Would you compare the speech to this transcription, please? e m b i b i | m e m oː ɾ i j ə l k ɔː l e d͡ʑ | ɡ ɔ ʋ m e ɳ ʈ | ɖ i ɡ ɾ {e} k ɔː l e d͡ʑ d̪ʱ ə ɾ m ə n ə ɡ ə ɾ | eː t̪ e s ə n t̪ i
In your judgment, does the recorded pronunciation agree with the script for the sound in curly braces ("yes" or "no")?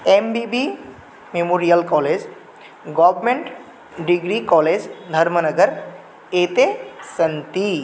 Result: no